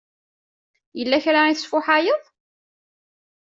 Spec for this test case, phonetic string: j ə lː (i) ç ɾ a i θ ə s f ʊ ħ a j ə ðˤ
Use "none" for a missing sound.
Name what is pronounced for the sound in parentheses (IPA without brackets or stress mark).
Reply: æ